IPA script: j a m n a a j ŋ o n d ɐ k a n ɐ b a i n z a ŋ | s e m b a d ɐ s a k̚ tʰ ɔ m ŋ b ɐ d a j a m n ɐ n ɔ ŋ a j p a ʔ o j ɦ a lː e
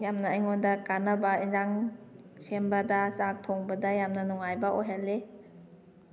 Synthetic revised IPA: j a m n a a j ŋ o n d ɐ k a n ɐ b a i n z a ŋ | s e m b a d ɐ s a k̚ tʰ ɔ ŋ b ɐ d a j a m n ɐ n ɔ ŋ a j b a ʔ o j ɦ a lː e